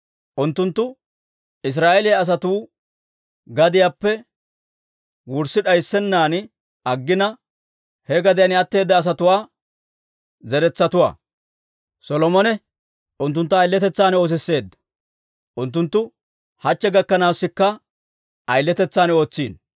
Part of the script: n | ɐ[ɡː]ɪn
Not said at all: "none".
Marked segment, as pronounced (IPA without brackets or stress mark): ɡː